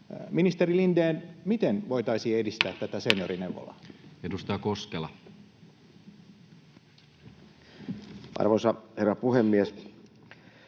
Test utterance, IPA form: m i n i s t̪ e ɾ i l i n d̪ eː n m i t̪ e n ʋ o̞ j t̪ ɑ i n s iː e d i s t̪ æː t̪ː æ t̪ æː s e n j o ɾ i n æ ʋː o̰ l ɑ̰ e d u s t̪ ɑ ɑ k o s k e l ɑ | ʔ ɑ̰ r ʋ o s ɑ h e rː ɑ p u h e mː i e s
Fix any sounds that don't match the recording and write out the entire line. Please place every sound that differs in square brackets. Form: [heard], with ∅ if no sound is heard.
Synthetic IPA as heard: m i n i s t̪ e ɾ i l i n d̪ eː n m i t̪ e n ʋ o̞ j t̪ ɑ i [∅] s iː e d i s t̪ æː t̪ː æ t̪ [æ] s e n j o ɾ i n [e] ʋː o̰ l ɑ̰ e d u s t̪ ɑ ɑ k o s k e l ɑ | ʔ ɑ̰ r ʋ o s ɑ h e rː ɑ p u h e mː i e s